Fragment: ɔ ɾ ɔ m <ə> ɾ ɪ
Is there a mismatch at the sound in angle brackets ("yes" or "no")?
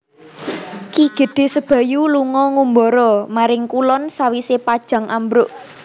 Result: yes